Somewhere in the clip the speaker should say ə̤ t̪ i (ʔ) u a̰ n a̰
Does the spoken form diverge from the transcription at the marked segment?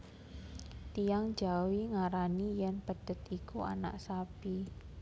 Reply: yes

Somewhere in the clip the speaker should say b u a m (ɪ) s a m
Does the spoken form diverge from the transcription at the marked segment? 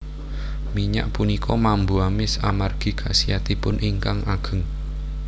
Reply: no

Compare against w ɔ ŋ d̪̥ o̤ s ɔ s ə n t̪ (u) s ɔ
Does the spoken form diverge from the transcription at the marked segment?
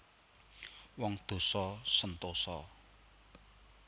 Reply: yes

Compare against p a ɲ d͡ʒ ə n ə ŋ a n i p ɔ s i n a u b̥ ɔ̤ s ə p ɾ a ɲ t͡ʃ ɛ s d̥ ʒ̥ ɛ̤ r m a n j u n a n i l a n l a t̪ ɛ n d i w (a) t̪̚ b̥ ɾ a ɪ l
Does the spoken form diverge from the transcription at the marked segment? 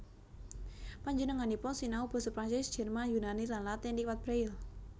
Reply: no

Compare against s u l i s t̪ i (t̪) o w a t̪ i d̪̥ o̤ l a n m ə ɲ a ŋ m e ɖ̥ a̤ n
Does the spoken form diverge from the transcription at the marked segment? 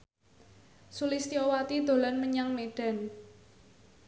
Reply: yes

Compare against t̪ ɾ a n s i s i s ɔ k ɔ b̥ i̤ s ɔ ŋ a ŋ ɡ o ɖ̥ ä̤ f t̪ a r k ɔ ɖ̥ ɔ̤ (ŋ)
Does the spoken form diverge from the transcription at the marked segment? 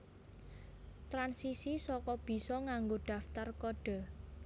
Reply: yes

